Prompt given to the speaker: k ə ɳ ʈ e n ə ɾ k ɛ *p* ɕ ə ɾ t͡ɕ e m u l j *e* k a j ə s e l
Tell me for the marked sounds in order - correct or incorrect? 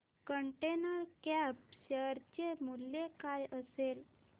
correct, correct

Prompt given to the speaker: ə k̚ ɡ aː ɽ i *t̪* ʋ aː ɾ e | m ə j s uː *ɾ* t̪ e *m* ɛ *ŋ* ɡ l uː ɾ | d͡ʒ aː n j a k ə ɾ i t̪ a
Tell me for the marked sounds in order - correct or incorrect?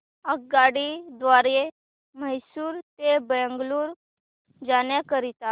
incorrect: d̪, correct, incorrect: b, correct

